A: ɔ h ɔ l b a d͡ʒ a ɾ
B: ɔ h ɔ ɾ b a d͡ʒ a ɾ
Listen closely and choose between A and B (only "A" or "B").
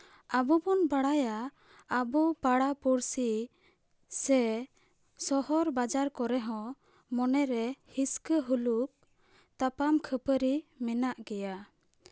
B